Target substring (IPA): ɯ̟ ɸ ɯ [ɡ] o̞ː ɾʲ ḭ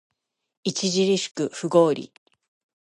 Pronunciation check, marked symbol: correct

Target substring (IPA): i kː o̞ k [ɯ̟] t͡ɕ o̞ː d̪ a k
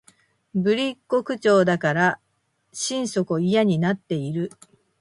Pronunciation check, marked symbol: correct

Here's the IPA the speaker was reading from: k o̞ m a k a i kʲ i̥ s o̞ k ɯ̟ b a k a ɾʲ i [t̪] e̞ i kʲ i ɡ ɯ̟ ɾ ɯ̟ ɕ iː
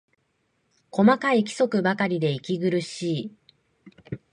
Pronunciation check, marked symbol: incorrect: d̪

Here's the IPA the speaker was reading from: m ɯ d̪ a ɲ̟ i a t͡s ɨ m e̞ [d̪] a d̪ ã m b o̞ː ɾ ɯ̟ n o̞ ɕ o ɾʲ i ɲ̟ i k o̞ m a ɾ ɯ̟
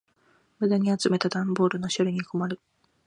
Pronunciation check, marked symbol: incorrect: t̪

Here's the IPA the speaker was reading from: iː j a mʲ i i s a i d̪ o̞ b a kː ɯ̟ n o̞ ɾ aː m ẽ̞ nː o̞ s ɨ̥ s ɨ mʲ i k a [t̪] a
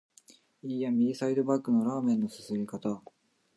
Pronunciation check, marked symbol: correct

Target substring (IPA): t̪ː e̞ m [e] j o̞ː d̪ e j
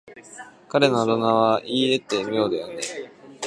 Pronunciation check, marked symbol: incorrect: i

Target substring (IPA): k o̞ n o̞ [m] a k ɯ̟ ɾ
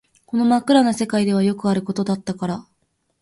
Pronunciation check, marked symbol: correct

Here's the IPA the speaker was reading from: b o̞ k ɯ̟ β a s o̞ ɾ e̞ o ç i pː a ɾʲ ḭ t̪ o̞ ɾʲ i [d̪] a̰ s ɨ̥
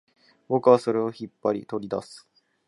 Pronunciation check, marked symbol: correct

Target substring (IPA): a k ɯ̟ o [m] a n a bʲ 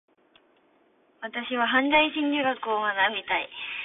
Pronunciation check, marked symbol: correct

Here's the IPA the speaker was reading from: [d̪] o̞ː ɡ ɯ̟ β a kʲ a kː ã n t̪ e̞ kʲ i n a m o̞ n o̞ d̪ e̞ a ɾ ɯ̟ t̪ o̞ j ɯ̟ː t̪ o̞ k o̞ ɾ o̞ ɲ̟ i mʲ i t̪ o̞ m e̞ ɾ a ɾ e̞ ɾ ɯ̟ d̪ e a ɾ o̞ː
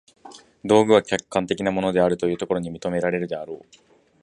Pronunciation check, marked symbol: correct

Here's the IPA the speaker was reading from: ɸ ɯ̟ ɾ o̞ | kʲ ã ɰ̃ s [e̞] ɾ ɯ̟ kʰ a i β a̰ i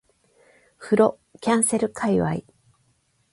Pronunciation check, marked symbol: correct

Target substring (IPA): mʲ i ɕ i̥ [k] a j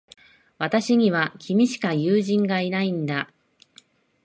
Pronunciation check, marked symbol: correct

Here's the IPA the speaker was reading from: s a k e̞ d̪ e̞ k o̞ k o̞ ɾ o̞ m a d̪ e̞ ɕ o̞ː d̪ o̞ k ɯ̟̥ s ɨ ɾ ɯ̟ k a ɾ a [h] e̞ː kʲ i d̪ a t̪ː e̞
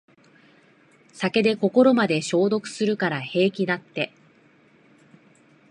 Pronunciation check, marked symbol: correct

